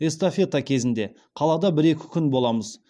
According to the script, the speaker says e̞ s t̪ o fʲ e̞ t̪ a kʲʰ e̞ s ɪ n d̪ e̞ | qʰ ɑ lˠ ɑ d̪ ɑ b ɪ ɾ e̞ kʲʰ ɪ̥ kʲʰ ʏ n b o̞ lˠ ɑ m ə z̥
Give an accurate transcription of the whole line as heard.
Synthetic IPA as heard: e̞ s t̪ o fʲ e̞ t̪ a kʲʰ e̞ z ɪ n d̪ e̞ | qʰ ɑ lˠ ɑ d̪ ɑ b ɪ ɾ e̞ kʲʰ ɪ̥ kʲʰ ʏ n b o̞ lˠ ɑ m ə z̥